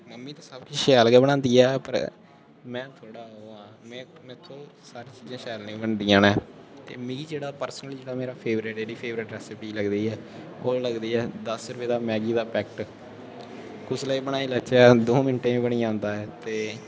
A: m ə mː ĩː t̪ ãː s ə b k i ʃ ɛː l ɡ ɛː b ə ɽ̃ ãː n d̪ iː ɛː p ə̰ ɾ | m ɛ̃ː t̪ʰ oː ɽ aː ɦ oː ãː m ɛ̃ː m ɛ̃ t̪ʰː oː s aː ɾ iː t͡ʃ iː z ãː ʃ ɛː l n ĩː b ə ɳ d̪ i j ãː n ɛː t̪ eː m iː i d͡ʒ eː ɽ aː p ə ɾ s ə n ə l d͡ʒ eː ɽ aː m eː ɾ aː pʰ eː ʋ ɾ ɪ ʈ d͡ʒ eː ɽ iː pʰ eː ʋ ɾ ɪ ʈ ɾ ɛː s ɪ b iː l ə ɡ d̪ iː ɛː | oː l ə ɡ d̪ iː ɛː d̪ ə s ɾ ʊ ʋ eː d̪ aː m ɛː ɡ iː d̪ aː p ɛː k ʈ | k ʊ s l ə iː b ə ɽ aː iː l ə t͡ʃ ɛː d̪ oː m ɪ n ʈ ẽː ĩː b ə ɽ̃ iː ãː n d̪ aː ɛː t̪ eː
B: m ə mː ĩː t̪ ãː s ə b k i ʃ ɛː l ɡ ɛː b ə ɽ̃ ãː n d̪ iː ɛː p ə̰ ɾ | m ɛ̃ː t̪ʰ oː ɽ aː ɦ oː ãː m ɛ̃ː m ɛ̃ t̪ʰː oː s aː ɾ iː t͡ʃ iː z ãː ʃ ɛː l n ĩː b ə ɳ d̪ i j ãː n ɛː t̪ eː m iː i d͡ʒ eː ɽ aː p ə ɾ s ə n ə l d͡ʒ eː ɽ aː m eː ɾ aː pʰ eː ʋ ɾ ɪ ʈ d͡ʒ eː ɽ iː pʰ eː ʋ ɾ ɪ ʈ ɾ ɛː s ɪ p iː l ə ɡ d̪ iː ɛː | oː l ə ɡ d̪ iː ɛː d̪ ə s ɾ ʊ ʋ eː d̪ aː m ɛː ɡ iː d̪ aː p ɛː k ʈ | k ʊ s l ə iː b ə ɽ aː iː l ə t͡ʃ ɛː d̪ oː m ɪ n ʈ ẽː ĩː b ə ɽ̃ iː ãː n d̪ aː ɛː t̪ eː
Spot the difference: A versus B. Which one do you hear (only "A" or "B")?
B